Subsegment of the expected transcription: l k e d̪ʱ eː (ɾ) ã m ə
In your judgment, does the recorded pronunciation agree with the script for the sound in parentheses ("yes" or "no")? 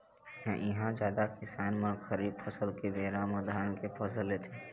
yes